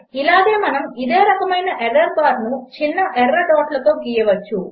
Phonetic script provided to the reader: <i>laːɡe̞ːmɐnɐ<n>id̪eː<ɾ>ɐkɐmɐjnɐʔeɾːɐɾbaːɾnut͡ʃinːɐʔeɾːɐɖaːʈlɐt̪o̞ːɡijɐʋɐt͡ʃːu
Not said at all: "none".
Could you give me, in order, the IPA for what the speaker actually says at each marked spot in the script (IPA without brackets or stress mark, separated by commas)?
i, m, ɾ